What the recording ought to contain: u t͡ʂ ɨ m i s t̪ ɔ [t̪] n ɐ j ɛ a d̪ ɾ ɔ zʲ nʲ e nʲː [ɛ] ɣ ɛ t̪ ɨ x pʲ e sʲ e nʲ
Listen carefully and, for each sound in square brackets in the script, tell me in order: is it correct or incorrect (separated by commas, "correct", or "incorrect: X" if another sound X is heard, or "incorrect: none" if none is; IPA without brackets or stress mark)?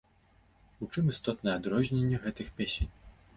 correct, correct